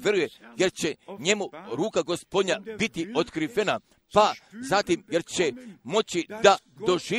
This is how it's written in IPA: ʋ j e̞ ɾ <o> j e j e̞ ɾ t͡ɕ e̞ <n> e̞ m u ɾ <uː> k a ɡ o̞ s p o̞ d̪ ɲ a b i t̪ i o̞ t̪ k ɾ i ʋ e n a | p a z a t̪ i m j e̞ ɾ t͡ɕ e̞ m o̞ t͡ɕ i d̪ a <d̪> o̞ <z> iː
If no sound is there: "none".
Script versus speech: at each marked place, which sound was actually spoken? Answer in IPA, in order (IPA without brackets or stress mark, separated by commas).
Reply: u, ɲ, uː, d̪, ʒ